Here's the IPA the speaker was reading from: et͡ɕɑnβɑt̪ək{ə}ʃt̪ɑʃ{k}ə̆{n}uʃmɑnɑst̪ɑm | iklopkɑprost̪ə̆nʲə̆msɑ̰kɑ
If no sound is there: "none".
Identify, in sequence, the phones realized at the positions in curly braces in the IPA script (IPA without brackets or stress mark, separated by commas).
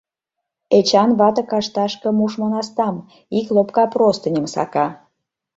ɑ, k, m